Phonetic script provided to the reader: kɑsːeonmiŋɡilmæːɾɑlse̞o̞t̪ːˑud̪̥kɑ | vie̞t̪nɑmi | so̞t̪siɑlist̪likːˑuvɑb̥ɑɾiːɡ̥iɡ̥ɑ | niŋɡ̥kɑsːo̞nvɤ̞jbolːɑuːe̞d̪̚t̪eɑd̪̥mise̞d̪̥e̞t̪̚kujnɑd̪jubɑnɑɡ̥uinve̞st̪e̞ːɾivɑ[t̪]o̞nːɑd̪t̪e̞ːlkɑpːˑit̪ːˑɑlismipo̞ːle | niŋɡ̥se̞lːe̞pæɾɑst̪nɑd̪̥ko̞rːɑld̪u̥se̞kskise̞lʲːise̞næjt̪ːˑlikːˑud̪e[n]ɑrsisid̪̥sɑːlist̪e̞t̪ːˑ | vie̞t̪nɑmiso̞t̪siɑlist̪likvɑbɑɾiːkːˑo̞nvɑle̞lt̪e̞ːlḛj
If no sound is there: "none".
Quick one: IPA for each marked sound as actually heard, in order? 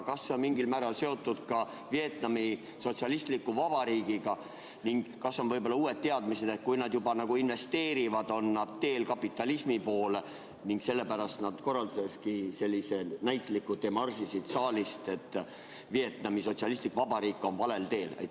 d̪, m

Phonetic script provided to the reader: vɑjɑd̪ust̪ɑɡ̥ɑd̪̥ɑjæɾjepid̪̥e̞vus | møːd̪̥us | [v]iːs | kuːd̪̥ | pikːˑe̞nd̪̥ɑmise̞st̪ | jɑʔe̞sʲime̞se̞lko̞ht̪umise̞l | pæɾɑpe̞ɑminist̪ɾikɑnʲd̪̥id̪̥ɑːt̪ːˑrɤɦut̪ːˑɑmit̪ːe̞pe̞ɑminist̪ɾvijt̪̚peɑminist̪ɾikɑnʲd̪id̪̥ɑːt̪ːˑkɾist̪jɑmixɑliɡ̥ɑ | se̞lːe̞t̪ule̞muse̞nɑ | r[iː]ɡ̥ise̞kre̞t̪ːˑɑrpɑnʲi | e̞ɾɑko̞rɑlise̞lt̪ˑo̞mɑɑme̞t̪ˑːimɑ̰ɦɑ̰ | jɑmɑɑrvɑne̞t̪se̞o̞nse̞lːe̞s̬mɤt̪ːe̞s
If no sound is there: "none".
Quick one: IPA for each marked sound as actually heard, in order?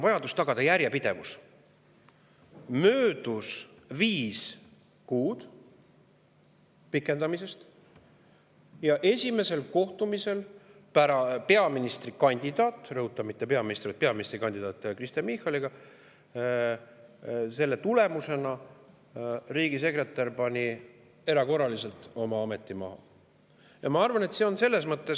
v, iː

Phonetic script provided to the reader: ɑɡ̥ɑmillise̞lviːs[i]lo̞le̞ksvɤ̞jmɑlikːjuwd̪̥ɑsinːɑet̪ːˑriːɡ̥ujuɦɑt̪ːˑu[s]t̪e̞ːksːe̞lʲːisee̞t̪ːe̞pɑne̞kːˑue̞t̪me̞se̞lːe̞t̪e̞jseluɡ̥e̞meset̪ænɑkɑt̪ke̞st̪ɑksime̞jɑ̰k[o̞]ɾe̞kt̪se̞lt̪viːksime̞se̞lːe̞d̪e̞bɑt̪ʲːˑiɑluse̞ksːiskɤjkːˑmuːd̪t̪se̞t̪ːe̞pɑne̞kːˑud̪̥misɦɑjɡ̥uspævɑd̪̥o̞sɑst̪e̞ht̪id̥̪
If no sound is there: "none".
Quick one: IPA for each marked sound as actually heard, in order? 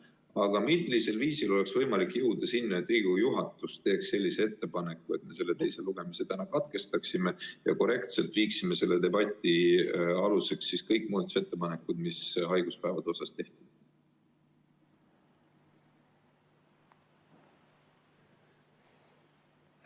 i, s, o̞

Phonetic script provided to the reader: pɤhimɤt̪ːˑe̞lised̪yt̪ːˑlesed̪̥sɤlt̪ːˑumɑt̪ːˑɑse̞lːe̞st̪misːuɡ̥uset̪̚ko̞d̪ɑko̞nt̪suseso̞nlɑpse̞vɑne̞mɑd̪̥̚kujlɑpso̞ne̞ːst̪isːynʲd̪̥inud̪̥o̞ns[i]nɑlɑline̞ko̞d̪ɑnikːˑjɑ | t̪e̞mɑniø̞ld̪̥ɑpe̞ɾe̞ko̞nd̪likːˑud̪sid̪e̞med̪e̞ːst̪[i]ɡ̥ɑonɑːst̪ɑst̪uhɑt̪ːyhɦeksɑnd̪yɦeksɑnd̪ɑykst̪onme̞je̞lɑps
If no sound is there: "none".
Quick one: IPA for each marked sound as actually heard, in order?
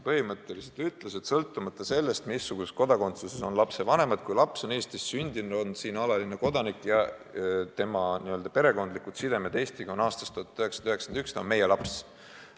iː, i

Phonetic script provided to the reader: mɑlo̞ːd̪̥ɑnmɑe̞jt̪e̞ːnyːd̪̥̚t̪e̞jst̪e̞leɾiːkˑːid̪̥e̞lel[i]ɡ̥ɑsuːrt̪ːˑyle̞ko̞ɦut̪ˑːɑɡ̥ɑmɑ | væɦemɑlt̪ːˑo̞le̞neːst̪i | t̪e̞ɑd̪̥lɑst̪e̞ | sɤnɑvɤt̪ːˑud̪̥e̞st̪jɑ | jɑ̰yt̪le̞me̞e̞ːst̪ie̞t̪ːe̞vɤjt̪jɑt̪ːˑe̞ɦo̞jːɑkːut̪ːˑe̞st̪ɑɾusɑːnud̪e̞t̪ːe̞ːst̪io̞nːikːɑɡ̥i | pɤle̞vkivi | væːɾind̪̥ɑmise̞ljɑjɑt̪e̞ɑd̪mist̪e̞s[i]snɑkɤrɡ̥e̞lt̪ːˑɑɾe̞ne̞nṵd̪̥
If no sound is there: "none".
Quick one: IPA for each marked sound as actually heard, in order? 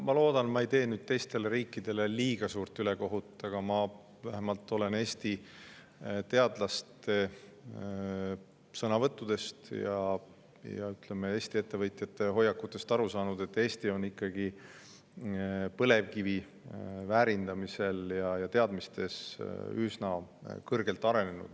iː, y

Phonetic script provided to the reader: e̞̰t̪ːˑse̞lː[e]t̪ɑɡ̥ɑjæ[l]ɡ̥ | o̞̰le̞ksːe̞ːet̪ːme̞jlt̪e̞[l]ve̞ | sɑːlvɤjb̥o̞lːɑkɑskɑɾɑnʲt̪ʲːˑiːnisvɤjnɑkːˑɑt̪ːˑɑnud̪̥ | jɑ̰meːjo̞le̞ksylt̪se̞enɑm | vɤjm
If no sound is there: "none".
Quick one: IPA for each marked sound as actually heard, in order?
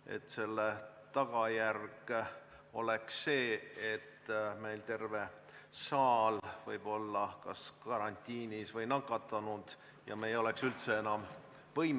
e, r, r

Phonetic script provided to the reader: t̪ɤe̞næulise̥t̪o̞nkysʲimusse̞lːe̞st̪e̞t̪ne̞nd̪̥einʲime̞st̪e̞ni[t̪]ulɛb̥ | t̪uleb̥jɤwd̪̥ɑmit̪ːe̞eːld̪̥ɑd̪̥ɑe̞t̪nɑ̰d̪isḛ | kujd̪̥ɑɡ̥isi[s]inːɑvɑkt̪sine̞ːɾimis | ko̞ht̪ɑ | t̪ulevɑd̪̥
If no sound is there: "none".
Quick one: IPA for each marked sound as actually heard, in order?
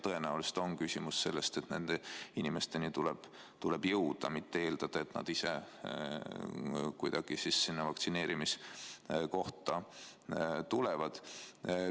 t̪, sː

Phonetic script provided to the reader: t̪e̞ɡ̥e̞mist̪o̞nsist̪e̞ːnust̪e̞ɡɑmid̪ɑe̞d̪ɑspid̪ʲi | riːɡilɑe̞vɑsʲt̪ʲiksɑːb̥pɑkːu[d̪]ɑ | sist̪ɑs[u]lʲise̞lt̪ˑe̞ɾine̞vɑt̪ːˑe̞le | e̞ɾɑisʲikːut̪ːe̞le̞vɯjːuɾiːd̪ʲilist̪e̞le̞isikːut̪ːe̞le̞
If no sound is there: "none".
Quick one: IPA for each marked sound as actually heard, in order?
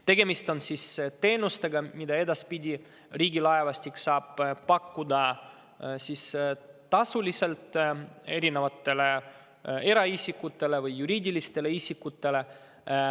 d̪, u

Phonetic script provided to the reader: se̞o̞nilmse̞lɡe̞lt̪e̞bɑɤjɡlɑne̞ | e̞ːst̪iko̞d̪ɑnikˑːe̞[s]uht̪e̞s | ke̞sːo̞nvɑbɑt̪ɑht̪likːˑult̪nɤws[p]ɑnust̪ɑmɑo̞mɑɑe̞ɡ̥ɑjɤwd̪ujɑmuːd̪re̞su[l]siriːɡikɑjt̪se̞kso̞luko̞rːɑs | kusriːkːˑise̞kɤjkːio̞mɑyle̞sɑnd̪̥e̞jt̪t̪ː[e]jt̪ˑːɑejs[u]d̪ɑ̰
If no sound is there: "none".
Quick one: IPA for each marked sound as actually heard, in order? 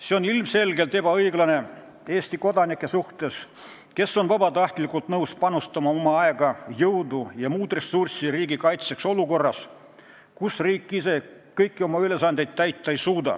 s, p, r, æ, uː

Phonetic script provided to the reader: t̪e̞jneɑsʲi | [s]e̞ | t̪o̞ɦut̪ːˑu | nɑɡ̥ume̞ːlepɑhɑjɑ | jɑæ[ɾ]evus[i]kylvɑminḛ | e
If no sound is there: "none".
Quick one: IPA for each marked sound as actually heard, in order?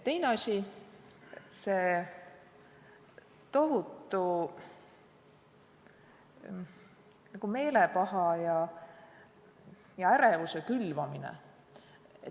s, ɾ, e

